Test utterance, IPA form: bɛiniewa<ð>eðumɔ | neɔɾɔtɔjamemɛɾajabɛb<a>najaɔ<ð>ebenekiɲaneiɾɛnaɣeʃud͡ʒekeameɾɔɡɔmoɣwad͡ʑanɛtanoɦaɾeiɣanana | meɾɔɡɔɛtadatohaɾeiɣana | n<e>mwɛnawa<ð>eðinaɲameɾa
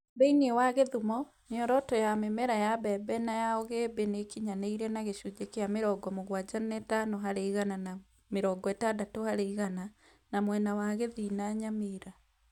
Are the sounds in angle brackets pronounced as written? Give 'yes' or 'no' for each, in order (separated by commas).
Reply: no, no, no, no, no